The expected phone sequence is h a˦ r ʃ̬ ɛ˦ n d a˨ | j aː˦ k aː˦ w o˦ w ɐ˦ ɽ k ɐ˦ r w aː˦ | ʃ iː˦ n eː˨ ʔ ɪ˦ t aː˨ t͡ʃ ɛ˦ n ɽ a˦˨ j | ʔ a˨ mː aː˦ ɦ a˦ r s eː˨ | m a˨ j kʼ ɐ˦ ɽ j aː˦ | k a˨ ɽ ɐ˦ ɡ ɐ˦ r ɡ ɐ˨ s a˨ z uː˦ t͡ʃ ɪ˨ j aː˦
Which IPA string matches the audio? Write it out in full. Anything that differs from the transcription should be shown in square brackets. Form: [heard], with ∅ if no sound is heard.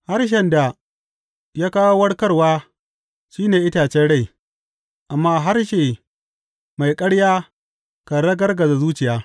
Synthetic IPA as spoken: h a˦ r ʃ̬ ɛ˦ n d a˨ | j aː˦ k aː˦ w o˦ w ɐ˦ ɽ k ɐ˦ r w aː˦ | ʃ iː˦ n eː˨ ʔ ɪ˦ t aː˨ t͡ʃ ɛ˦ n ɽ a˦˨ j | ʔ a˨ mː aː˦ ɦ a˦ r [ʃ] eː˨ | m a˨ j kʼ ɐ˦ ɽ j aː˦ | k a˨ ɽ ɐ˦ ɡ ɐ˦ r ɡ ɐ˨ [z] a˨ z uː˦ t͡ʃ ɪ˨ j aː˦